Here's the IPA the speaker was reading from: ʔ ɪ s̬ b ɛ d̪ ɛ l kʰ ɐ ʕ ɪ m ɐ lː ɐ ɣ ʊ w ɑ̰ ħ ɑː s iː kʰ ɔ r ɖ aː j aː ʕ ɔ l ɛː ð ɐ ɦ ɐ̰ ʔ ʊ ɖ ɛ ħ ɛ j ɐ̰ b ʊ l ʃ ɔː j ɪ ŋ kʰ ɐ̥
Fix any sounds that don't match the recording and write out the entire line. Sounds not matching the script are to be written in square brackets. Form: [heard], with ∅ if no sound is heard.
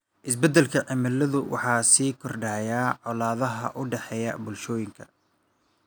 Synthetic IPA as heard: ʔ ɪ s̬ b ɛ d̪ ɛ l kʰ ɐ ʕ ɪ m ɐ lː ɐ [ð] ʊ w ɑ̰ ħ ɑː s iː kʰ ɔ r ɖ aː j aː ʕ ɔ l [aː] ð ɐ ɦ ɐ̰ ʔ ʊ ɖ ɛ ħ ɛ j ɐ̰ b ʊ l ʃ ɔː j ɪ ŋ kʰ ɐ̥